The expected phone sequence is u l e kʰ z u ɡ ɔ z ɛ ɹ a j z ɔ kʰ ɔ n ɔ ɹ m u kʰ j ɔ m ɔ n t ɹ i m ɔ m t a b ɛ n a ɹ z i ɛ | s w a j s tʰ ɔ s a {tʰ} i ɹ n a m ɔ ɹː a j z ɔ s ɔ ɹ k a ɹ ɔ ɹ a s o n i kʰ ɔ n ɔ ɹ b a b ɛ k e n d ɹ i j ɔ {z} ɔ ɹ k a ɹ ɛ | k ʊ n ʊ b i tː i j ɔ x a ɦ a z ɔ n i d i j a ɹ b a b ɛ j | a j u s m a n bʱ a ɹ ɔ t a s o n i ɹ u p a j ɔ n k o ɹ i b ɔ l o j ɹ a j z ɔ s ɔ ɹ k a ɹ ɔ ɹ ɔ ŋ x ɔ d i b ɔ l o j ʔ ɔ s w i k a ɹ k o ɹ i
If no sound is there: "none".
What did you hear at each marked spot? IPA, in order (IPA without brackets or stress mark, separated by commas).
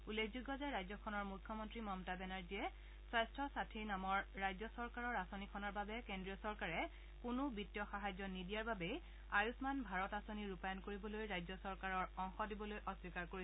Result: tʰ, s